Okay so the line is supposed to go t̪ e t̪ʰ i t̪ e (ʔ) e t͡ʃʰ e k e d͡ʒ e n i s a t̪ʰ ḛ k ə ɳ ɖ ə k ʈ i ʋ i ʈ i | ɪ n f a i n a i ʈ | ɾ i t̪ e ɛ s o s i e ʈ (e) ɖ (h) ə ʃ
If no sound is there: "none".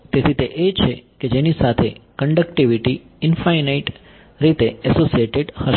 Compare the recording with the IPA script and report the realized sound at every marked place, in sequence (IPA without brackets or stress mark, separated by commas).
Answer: ʔ, e, h